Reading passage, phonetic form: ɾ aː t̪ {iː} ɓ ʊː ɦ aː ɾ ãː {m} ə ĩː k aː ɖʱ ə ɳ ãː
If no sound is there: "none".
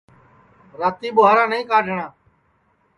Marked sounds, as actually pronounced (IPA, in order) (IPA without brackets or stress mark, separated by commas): iː, n